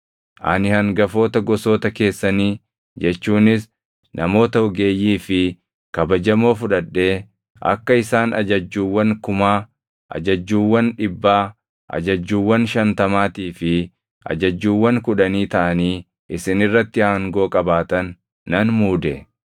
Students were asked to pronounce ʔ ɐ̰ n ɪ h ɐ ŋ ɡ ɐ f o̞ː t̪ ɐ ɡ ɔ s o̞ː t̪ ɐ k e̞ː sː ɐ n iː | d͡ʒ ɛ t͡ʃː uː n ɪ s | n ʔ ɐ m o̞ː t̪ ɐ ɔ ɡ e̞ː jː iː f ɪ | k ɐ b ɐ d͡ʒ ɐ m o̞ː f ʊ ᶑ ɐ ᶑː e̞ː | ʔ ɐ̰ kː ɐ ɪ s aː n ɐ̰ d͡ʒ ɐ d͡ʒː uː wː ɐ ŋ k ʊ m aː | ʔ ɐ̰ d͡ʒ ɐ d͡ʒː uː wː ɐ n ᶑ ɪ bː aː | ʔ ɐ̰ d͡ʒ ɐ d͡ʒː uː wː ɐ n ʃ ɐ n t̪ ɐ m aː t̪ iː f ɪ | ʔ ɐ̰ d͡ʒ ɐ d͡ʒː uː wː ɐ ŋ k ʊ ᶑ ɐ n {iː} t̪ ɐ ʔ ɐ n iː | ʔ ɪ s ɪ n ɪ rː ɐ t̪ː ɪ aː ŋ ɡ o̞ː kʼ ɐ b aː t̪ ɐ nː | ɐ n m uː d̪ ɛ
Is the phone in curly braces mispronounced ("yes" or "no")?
no